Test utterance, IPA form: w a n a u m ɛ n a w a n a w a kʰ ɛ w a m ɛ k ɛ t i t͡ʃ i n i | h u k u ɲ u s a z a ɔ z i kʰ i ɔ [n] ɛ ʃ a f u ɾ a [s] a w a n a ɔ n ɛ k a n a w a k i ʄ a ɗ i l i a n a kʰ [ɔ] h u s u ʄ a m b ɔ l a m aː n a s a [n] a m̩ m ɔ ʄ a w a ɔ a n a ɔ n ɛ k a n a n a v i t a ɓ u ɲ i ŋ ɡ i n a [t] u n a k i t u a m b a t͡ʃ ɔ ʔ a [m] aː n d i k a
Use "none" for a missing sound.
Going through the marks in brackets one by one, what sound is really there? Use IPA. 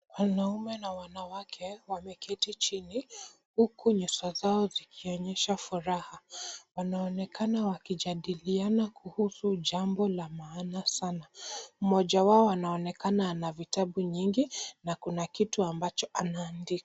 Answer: ɲ, h, u, n, k, n

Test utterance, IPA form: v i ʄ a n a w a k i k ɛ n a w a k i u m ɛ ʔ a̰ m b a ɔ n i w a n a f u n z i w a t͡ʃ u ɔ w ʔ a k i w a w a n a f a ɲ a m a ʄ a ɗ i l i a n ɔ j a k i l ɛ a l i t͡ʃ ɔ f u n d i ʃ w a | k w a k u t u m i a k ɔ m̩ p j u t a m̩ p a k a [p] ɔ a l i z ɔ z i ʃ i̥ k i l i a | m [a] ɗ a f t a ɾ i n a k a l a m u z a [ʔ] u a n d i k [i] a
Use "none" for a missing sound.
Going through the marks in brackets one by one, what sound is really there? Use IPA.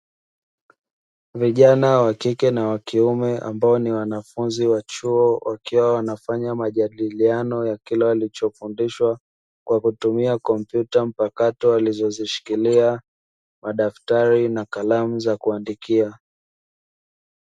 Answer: t, a, k, i

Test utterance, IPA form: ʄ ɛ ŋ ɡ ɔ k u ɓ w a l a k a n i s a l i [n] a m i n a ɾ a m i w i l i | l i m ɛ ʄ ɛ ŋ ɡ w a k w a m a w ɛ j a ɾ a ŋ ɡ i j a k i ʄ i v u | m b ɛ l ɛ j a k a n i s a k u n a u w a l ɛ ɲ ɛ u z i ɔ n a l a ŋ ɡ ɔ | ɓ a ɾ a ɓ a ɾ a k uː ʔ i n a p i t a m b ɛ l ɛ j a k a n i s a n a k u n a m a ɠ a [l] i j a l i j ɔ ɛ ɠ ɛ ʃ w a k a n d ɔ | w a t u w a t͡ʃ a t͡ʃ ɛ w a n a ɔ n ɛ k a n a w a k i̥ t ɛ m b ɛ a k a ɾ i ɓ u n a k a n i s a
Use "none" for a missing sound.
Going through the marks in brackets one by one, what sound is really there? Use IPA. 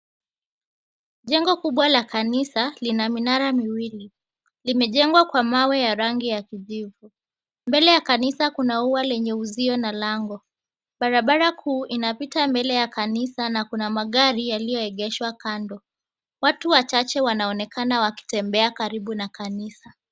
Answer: n, ɾ

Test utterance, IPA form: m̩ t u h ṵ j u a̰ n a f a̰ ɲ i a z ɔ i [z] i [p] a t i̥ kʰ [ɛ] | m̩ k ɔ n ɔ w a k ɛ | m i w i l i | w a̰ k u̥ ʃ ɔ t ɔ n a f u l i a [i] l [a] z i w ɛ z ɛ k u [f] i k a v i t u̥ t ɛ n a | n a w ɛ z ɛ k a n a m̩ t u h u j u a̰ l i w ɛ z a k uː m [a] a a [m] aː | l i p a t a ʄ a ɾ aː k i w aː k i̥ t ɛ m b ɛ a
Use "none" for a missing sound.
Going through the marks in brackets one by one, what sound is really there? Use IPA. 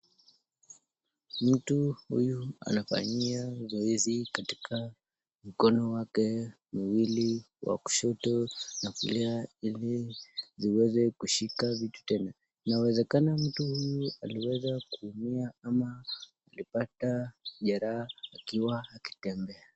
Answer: z, k, a, i, i, ʃ, i, m

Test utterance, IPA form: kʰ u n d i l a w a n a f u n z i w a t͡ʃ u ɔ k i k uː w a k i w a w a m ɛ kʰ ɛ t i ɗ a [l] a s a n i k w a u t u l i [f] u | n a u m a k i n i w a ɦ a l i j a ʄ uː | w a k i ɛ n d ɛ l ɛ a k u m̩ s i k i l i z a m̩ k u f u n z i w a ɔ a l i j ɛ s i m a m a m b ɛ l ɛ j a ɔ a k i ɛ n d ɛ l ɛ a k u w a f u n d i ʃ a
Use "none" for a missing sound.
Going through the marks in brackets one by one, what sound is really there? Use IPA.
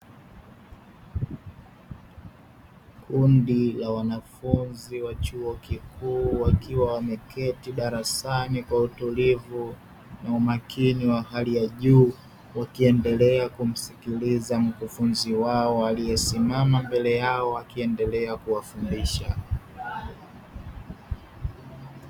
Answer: ɾ, v

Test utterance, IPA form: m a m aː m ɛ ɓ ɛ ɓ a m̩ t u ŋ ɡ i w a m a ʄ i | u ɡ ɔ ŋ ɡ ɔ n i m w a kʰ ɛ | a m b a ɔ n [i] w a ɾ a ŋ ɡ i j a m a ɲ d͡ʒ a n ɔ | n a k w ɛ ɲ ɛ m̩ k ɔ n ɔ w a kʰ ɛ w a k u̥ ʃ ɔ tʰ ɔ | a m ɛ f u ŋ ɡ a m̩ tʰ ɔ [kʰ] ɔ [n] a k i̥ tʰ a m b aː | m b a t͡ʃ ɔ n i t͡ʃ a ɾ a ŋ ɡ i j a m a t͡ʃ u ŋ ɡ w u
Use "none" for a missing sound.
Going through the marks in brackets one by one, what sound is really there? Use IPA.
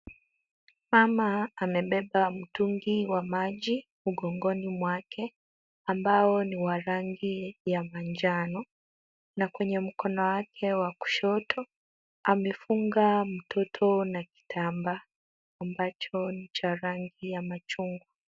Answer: i, tʰ, n

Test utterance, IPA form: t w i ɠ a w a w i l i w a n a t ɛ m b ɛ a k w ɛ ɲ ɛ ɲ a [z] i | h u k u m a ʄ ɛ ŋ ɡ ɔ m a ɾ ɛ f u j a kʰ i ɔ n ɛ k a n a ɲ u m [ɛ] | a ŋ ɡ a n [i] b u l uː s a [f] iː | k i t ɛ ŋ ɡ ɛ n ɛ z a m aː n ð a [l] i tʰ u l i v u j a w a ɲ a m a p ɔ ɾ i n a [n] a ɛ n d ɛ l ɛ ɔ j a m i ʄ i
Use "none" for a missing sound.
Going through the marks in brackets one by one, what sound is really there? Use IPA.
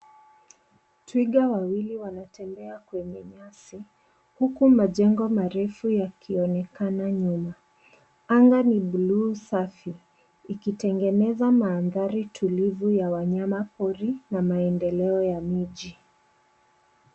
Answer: s, a, i, f, ɾ, m

